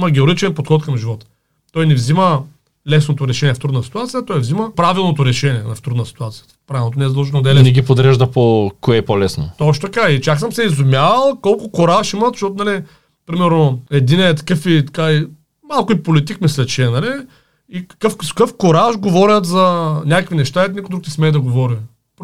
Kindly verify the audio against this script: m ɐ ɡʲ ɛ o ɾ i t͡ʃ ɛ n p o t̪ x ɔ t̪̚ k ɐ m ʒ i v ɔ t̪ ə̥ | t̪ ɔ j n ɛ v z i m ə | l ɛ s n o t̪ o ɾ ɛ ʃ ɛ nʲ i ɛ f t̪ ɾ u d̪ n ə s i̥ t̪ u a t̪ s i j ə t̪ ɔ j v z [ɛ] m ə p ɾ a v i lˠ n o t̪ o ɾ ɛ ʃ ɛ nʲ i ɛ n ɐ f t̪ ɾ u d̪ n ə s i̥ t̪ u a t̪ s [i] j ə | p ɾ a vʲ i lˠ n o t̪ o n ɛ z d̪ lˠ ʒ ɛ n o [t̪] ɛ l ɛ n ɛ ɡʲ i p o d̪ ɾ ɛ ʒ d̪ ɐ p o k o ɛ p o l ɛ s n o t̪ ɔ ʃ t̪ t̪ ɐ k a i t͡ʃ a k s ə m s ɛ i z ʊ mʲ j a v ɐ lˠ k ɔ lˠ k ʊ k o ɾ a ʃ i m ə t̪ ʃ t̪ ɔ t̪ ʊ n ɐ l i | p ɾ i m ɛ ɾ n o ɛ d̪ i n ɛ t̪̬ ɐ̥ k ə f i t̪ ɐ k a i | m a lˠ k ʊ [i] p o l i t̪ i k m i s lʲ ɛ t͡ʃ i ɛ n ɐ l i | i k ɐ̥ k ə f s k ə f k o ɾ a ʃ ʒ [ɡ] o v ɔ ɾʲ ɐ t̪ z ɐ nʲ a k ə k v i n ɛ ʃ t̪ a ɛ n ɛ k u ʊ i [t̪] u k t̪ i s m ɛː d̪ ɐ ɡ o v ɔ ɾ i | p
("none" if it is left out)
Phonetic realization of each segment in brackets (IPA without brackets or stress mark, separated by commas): i, i, d̪, i, ɡ, d̪